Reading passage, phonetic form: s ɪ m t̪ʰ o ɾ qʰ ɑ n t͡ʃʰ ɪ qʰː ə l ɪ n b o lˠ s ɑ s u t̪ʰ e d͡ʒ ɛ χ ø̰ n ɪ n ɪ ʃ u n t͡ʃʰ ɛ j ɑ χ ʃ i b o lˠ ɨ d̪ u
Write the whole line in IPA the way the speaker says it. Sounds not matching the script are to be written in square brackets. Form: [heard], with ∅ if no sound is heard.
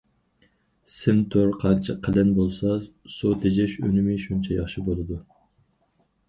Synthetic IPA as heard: s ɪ m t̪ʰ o ɾ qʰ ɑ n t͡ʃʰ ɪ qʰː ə l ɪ n b o lˠ s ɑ s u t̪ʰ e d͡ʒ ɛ [ʃ] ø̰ n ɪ [m] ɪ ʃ u n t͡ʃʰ ɛ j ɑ χ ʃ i b o lˠ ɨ d̪ u